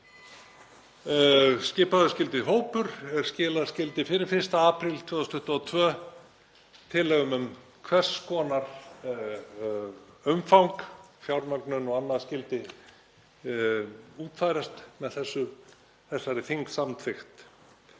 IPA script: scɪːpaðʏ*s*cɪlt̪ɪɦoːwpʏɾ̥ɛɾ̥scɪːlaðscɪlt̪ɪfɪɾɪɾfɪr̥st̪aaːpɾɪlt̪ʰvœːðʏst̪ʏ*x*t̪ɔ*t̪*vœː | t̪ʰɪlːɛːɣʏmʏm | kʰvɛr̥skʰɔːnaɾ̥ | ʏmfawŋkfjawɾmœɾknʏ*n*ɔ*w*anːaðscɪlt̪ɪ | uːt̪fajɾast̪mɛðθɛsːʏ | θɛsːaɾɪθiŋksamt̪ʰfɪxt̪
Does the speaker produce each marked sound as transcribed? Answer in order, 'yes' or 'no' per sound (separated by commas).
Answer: yes, no, no, yes, no